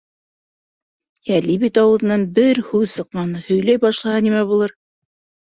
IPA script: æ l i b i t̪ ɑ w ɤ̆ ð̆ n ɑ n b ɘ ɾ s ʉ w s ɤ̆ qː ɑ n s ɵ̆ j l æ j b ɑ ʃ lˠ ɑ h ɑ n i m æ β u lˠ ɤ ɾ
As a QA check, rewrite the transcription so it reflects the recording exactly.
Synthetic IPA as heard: æ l i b i t̪ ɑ w ɤ̆ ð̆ n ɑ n b ɘ ɾ h ʉ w s ɤ̆ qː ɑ n h ɵ̆ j l æ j b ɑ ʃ lˠ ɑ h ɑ n i m æ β u lˠ ɤ ɾ